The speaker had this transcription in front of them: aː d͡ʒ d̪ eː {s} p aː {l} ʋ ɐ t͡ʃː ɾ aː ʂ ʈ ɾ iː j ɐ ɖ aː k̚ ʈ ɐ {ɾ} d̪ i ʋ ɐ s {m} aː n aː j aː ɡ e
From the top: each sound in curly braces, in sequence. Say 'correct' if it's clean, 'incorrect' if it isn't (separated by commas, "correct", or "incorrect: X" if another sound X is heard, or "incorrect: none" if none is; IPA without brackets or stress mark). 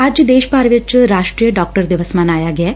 incorrect: ʃ, incorrect: ɾ, correct, correct